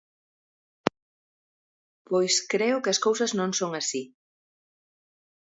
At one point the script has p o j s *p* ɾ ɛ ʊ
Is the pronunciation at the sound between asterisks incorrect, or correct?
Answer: incorrect